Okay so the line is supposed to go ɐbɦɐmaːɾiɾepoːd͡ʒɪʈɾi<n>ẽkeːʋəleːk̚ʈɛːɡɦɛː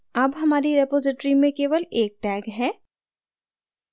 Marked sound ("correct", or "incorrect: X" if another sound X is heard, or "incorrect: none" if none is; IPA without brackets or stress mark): incorrect: m